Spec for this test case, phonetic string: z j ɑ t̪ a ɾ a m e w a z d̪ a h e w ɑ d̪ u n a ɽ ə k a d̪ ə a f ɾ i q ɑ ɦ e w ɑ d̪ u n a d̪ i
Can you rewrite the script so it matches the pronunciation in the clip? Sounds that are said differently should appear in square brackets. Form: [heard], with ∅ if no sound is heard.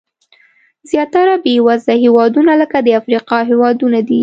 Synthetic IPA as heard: z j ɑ t̪ a ɾ a [b] e w a z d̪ a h e w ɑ d̪ u n a [l] ə k a d̪ ə a f ɾ i q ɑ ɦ e w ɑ d̪ u n a d̪ i